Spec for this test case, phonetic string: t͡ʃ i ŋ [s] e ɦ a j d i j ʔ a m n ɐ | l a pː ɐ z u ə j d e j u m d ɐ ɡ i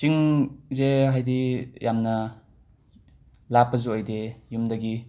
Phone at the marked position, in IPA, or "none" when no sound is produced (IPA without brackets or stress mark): z